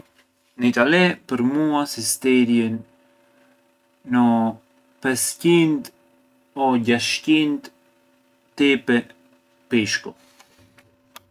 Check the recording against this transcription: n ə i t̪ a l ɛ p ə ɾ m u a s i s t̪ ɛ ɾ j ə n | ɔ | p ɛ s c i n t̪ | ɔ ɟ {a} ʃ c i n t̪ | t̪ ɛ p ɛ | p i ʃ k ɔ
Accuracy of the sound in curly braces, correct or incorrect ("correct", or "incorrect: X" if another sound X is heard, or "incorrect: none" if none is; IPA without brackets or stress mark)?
correct